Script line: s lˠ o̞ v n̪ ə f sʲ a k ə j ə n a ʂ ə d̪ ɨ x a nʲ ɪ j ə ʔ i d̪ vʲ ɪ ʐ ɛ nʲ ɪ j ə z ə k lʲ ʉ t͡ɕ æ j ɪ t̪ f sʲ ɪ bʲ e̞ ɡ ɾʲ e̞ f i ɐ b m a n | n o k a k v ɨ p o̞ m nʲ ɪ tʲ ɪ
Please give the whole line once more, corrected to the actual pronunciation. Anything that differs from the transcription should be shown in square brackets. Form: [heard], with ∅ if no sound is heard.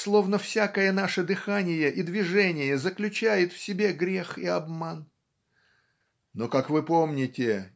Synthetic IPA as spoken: s lˠ o̞ v n̪ ə f sʲ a k ə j ə n a ʂ ə d̪ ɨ x a nʲ ɪ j ə ʔ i d̪ vʲ ɪ ʐ ɛ nʲ ɪ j ə z ə k lʲ ʉ t͡ɕ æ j ɪ t̪ f sʲ ɪ bʲ e̞ ɡ ɾʲ e̞ [x] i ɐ b m a n | n o k a k v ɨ p o̞ m nʲ ɪ tʲ ɪ